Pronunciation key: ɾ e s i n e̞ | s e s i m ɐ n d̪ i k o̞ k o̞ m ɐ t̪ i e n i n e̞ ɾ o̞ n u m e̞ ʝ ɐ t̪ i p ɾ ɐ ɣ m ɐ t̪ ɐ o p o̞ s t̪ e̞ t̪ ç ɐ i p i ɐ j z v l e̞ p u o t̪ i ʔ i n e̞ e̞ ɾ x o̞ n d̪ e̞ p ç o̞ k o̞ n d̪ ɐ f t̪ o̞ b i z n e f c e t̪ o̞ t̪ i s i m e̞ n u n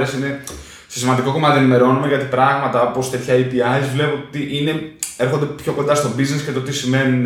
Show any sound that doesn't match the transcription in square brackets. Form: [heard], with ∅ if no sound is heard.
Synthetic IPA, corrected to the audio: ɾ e s i n e̞ | s e s i m ɐ n d̪ i k o̞ k o̞ m ɐ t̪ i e n i [m] e̞ ɾ o̞ n u m e̞ ʝ ɐ t̪ i p ɾ ɐ ɣ m ɐ t̪ ɐ o p o̞ s t̪ e̞ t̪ ç ɐ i p i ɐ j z v l e̞ p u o t̪ i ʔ i n e̞ e̞ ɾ x o̞ n d̪ e̞ p ç o̞ k o̞ n d̪ ɐ [s] t̪ o̞ b i z n e [s] c e t̪ o̞ t̪ i s i m e̞ n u n